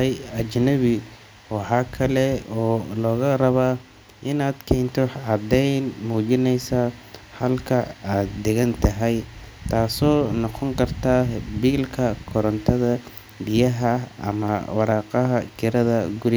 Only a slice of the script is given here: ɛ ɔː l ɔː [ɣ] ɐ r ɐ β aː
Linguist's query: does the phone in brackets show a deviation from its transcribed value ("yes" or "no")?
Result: no